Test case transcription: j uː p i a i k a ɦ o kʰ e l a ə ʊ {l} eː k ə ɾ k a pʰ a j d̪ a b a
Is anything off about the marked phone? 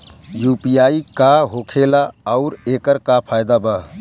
yes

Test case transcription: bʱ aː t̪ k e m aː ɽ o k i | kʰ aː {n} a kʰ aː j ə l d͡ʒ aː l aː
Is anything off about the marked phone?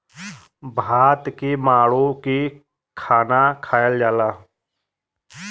no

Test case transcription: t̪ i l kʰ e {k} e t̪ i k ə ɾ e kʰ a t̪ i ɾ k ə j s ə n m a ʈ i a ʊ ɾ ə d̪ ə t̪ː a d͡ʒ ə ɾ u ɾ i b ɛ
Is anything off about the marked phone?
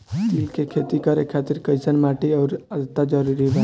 yes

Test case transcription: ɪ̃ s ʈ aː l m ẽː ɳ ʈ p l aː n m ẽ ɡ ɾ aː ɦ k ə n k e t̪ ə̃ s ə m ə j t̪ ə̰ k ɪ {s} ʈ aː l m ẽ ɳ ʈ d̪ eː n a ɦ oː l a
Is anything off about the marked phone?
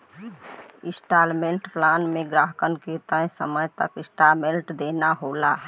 no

